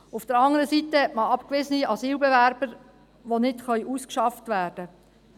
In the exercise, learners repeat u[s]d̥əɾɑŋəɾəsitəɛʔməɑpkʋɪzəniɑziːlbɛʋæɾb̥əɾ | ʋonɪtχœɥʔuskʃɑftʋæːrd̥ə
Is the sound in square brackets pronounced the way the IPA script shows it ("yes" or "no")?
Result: no